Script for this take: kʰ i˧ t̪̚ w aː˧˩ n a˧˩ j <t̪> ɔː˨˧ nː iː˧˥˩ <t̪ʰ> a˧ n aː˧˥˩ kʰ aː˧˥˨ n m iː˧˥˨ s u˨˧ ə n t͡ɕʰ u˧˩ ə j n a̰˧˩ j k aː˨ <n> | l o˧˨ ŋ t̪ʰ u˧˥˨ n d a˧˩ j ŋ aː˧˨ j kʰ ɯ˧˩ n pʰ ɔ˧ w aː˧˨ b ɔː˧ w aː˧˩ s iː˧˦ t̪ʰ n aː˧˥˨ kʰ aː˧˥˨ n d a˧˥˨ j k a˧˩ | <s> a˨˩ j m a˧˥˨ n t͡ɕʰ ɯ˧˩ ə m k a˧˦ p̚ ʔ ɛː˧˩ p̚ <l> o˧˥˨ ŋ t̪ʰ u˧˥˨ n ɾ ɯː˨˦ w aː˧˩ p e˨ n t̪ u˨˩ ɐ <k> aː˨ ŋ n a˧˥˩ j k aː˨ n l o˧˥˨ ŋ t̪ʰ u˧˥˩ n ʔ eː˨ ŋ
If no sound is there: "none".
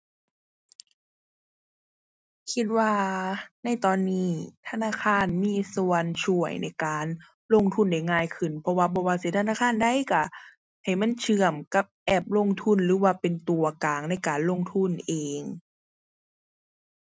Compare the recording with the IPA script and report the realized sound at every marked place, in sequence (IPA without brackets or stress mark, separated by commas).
t̪, t̪ʰ, n, h, l, k